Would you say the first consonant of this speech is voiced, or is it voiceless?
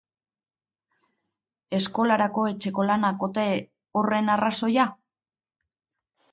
voiceless